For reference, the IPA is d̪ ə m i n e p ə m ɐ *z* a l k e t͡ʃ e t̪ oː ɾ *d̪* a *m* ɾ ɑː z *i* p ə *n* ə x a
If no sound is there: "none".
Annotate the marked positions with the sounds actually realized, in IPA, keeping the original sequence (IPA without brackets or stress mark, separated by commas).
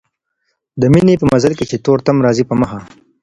z, t̪, m, i, m